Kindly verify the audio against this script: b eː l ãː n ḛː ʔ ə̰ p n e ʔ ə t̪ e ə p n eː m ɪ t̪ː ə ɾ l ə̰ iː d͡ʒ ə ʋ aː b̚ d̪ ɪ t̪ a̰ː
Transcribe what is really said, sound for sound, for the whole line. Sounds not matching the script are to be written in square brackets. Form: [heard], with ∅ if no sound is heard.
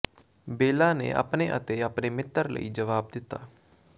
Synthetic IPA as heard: b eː l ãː n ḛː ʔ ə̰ p n e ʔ ə t̪ e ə p n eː m ɪ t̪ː ə ɾ l ə̰ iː d͡ʒ ə ʋ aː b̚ d̪ ɪ t̪ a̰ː